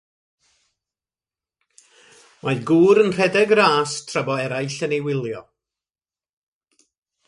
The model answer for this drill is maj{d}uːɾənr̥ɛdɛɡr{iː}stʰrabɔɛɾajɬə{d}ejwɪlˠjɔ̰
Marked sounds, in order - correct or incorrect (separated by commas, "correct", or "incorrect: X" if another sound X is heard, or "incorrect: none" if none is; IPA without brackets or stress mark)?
incorrect: ɡ, incorrect: aː, incorrect: n